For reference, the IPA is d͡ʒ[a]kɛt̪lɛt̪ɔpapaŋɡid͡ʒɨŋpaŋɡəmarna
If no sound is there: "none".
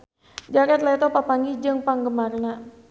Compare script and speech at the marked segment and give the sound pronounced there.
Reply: a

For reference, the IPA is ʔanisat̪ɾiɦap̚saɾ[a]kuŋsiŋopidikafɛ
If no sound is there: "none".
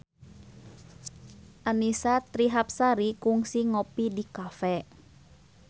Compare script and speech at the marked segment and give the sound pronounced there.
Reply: i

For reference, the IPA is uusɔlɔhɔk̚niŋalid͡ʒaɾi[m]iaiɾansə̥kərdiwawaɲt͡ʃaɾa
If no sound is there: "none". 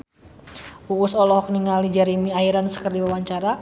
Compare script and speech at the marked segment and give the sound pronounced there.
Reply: m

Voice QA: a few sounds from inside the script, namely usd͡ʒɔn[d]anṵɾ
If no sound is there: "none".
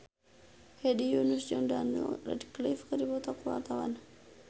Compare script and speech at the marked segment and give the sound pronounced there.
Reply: d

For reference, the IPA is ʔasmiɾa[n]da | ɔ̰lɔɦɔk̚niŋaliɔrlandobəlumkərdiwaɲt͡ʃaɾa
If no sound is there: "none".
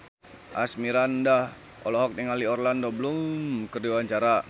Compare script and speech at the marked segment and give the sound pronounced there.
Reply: n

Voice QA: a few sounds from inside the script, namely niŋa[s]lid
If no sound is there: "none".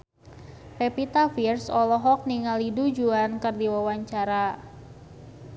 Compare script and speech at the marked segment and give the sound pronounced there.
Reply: none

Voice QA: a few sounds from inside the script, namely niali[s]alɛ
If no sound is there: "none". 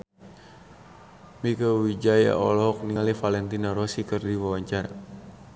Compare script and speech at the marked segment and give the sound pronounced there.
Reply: f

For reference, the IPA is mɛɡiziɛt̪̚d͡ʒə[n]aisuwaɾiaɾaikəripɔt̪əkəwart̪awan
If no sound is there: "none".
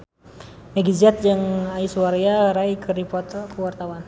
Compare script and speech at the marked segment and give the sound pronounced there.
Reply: ŋ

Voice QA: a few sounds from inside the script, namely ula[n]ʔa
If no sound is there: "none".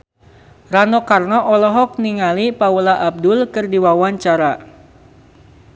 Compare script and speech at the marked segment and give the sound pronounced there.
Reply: none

